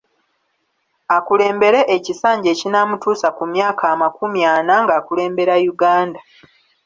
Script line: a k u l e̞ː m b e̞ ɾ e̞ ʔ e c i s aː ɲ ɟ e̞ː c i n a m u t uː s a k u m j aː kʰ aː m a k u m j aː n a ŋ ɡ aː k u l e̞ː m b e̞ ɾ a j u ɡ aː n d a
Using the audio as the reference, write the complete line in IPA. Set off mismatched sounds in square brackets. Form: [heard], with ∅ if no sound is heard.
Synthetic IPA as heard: a k u l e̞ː m b e̞ ɾ e̞ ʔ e c i s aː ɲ ɟ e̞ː c i n a m u t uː s a k u m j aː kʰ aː m a k u m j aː n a ŋ ɡ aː k u l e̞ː m b e̞ ɾ a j u ɡ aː n d a